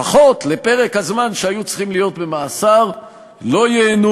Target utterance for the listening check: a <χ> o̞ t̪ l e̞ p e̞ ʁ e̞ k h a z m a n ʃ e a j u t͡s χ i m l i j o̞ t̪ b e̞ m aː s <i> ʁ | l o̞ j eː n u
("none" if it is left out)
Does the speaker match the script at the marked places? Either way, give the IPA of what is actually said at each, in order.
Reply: χ, a

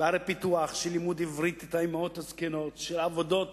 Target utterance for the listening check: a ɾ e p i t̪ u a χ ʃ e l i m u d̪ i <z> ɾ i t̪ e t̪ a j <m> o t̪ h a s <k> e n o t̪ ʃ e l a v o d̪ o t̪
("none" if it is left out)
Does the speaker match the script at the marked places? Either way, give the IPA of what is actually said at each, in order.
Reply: v, m, k

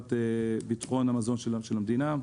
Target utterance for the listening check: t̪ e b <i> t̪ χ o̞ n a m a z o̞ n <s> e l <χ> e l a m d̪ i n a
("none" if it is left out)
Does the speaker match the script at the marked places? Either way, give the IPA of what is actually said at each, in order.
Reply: i, ʃ, ʃ

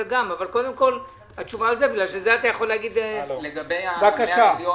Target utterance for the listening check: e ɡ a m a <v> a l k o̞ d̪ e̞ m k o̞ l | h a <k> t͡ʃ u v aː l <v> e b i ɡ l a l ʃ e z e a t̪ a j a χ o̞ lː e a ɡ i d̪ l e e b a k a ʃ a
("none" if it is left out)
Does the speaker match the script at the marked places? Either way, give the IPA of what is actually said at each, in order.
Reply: v, none, z

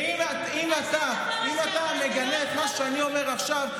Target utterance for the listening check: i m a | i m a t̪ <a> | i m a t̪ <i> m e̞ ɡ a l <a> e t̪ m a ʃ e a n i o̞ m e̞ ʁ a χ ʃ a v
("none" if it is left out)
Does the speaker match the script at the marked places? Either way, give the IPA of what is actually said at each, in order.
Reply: a, a, e

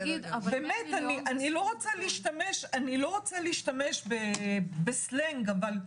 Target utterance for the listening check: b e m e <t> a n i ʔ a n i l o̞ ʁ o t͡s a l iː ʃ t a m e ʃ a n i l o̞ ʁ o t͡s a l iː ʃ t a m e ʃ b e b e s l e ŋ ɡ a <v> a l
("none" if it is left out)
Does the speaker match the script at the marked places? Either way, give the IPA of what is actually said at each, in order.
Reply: t, v

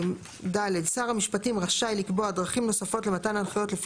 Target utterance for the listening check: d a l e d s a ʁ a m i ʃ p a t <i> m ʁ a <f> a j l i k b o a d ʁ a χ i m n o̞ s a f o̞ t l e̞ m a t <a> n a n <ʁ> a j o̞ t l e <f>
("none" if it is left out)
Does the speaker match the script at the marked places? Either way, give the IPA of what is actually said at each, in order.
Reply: i, ʃ, a, χ, f

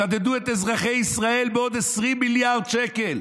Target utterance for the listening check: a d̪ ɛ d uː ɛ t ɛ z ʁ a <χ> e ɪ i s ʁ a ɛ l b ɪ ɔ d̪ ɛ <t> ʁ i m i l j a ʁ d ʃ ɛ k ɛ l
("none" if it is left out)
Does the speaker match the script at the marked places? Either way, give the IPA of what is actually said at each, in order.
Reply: χ, s

